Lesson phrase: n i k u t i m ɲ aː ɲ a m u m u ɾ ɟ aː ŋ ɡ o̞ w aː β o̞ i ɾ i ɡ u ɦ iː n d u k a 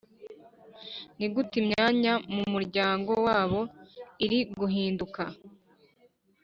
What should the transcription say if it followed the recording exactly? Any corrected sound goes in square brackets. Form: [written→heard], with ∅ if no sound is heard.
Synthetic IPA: n i [k→ɡ] u t i m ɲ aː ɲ a m u m u ɾ ɟ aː ŋ ɡ o̞ w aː β o̞ i ɾ i ɡ u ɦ iː n d u k a